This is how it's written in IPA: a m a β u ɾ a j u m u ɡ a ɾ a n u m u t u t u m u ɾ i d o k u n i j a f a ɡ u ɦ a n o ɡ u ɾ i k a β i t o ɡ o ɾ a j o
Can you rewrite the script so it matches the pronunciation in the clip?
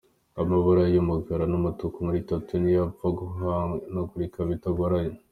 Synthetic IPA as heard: a m a β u ɾ a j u m u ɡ a ɾ a n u m u t u k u m u ɾ i t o t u n i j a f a ɡ u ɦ a n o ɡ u ɾ i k a β i t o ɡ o ɾ a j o